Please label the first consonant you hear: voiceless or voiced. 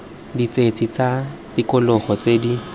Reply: voiced